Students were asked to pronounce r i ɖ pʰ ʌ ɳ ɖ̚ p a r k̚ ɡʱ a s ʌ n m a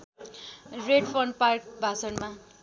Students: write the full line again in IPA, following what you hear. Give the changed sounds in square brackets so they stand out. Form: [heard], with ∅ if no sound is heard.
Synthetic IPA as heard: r [e] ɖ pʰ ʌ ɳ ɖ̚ p a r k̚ [bʱ] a s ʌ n m a